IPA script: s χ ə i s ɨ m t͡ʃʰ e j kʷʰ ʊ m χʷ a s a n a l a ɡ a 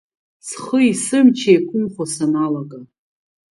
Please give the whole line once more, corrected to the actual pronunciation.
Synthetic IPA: s χ ə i s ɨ m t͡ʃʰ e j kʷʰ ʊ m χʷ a s a n a l a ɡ a